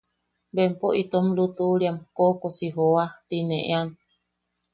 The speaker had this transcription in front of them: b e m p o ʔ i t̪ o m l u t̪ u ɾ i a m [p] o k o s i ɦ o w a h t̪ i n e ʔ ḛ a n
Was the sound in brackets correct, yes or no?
no